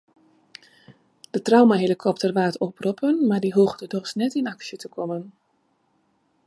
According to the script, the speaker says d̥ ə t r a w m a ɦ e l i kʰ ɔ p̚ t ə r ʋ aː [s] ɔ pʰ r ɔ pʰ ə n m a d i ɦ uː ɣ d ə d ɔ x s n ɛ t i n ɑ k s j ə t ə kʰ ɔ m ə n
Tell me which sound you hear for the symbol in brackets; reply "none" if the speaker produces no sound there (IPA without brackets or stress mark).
t